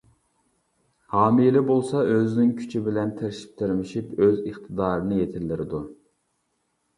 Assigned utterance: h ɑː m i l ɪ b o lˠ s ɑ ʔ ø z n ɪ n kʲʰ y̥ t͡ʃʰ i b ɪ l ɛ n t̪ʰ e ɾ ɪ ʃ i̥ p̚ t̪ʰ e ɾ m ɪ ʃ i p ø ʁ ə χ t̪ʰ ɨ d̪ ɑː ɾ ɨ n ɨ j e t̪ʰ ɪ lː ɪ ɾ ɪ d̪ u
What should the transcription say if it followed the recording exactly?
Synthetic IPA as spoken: h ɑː m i l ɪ b o lˠ s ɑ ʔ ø z n ɪ ŋ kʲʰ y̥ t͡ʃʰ i b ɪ l ɛ n t̪ʰ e ɾ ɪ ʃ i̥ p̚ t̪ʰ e ɾ m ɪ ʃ i p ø z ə χ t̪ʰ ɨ d̪ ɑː ɾ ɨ n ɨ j e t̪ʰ ɪ lː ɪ ɾ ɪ d̪ u

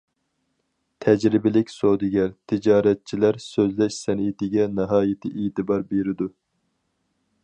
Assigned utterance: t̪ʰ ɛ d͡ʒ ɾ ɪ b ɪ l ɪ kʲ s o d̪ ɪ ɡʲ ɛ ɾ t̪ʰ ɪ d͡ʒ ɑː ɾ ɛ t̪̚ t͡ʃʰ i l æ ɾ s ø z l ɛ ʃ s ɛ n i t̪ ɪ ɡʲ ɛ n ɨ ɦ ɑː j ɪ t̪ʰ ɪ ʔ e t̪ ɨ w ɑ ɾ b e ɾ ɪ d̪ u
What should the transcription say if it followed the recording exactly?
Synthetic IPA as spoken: t̪ʰ ɛ d͡ʒ ɾ ɪ b ɪ l ɪ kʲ s o d̪ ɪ ɡʲ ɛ ɾ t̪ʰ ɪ d͡ʒ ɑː ɾ ɛ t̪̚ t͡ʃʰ i l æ ɾ s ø z l ɛ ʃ s ɛ n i t̪ ɪ ɡʲ ɛ n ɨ ɦ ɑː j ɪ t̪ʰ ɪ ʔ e t̪ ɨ b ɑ ɾ b e ɾ ɪ d̪ u

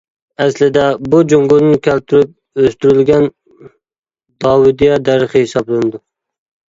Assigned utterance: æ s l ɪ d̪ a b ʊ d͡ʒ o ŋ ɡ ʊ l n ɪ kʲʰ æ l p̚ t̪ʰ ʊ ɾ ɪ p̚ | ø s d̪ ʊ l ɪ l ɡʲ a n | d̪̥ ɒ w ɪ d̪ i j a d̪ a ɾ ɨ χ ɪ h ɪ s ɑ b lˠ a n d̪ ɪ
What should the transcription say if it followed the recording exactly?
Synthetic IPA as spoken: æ s l ɪ d̪ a b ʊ d͡ʒ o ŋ ɡ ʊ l n ɪ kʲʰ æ l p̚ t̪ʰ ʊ ɾ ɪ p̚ | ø s t̪ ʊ ɾ ɪ l ɡʲ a n | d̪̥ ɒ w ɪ d̪ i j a d̪ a ɾ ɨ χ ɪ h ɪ s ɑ b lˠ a n d̪ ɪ

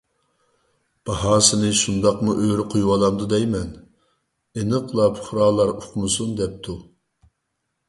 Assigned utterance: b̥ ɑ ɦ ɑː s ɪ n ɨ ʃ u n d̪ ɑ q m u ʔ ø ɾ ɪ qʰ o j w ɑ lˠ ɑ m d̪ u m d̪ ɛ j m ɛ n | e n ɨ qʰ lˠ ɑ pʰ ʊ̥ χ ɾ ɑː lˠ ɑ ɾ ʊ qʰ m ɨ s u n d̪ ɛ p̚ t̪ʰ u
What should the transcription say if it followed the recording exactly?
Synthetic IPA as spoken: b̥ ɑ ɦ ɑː s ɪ n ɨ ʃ u n d̪ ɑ q m u ʔ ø ɾ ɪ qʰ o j w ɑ lˠ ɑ m d̪ u d̪ ɛ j m ɛ n | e n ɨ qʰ lˠ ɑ pʰ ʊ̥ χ ɾ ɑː lˠ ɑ ɾ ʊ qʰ m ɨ s u n d̪ ɛ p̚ t̪ʰ u

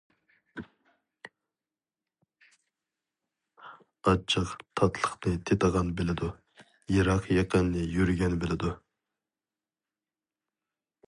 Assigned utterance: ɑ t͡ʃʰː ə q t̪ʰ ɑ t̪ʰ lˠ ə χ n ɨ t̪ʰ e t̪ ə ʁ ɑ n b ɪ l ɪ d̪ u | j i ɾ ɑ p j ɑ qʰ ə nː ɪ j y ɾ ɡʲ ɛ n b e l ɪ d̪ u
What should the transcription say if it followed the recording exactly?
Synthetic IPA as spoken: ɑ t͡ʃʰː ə q t̪ʰ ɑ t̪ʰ lˠ ə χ n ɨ t̪ʰ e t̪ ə ʁ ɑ n b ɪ l ɪ d̪ u | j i ɾ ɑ q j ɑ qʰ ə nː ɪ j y ɾ ɡʲ ɛ n b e l ɪ d̪ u

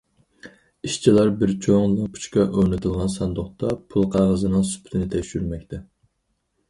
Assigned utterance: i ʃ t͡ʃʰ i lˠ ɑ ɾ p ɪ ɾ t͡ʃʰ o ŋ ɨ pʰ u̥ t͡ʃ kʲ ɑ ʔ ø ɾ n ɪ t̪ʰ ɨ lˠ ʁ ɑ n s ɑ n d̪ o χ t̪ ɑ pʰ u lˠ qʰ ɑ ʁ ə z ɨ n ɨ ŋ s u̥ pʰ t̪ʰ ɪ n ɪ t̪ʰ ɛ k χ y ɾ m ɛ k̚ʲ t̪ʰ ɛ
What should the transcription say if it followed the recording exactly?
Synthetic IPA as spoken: i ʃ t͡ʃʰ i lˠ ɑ ɾ b ɪ ɾ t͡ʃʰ o ŋ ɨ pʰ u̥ t͡ʃ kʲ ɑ ʔ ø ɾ n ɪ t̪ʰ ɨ lˠ ʁ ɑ n s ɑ n d̪ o χ t̪ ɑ pʰ u lˠ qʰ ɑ ʁ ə z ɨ n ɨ ŋ s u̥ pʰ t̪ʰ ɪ n ɪ t̪ʰ ɛ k ʃ y ɾ m ɛ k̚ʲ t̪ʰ ɛ

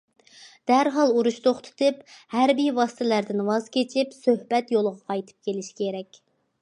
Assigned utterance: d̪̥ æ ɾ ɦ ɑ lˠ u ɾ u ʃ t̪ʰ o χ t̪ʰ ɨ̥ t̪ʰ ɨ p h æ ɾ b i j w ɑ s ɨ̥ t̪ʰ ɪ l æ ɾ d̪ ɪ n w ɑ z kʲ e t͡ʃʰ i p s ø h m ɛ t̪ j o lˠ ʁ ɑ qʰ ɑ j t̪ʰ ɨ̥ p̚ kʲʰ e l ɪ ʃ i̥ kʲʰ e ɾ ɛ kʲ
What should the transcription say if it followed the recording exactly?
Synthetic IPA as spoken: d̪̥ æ ɾ ɦ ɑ lˠ u ɾ u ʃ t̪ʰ o χ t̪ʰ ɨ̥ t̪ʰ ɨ p h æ ɾ b i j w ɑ s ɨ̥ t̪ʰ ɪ l æ ɾ d̪ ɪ n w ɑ z kʲ e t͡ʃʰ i p s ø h b ɛ t̪ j o lˠ ʁ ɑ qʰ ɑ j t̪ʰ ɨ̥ p̚ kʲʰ e l ɪ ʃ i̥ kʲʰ e ɾ ɛ kʲ

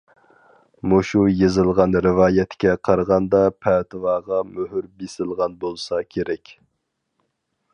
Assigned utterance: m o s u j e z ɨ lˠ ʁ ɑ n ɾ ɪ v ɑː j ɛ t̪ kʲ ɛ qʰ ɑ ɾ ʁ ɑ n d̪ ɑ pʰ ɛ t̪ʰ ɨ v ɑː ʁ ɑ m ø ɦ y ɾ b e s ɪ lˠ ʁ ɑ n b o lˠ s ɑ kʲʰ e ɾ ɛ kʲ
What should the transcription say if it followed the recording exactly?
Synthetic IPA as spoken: m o ʃ u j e z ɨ lˠ ʁ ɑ n ɾ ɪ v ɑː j ɛ t̪ kʲ ɛ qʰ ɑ ɾ ʁ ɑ n d̪ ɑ pʰ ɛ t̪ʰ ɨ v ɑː ʁ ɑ m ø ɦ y ɾ b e s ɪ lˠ ʁ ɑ n b o lˠ s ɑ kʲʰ e ɾ ɛ kʲ

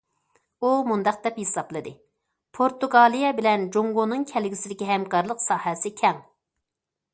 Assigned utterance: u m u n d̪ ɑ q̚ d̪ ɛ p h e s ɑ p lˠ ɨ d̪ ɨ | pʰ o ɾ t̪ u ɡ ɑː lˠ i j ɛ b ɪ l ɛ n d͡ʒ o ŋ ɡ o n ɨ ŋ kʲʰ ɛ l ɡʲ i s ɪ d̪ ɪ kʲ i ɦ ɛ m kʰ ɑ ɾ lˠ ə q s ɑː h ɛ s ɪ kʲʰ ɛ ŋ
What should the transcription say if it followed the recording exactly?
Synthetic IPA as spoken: u m u n d̪ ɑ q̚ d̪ ɛ p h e s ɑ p lˠ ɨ d̪ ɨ | pʰ o ɾ t̪ u ɡ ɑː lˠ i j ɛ b ɪ l ɛ n d͡ʒ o ŋ ɡ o n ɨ ŋ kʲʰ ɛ l ɡʲ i s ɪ d̪ ɪ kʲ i ɦ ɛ m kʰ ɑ ɾ lˠ ə q s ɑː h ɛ s ɪ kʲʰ ɛ ŋ

